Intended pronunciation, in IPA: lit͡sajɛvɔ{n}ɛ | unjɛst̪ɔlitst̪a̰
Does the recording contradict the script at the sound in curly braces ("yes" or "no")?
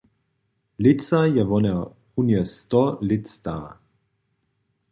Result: no